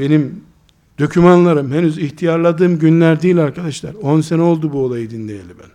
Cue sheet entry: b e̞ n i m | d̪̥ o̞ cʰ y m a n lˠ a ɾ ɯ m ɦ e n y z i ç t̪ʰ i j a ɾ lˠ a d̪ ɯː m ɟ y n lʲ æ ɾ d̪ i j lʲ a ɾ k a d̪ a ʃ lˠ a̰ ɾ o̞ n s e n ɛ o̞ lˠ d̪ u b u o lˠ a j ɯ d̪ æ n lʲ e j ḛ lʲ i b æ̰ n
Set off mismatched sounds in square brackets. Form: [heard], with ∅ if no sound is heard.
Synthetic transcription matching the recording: b e̞ n i m | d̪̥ o̞ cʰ y m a n lˠ a ɾ ɯ m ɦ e n y z i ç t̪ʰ i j a ɾ lˠ a d̪ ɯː m ɟ y n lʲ æ ɾ d̪ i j lʲ a ɾ k a d̪ a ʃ lˠ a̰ ɾ o̞ n s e n ɛ o̞ lˠ d̪ u b u o lˠ a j ɯ d̪ [i] n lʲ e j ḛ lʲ i b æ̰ n